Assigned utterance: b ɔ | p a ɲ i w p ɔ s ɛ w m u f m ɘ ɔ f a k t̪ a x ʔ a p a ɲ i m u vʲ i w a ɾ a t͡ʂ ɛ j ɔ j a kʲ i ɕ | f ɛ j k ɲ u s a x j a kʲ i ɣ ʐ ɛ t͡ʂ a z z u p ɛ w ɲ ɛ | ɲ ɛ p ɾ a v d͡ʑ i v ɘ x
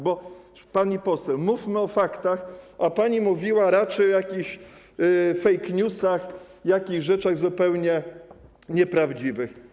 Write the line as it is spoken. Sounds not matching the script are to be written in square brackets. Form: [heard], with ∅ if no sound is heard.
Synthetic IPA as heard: b ɔ | p a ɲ i [∅] p ɔ s ɛ w m u f m ɘ ɔ f a k t̪ a x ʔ a p a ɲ i m u vʲ i w a ɾ a t͡ʂ ɛ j ɔ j a kʲ i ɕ | f ɛ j k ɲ u s a x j a kʲ i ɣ ʐ ɛ t͡ʂ a [ɣ] z u p ɛ w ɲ ɛ | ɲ ɛ p ɾ a v d͡ʑ i v ɘ x